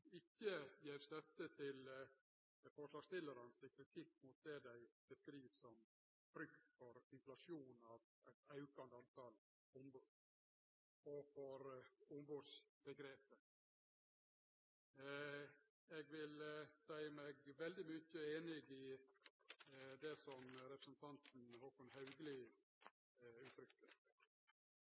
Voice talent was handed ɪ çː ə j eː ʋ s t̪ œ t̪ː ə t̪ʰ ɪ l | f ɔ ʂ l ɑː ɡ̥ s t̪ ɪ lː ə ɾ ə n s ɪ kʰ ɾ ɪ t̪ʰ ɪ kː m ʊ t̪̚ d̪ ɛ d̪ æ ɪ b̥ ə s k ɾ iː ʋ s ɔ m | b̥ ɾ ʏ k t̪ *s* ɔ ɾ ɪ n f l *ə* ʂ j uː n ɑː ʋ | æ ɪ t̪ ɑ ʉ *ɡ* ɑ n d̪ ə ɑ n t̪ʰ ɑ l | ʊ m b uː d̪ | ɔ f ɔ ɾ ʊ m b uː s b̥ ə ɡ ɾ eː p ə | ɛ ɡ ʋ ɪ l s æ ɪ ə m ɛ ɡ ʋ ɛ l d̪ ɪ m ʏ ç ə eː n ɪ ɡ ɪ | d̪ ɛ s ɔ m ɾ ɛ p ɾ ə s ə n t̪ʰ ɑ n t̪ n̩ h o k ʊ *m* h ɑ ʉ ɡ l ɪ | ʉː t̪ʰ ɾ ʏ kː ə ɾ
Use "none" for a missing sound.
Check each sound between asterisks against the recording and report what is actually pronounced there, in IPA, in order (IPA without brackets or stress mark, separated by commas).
f, ɑ, k, n